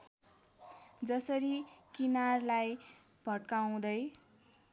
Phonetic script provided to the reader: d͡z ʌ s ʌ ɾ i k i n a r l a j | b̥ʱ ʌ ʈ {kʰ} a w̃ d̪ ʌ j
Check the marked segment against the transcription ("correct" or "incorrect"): incorrect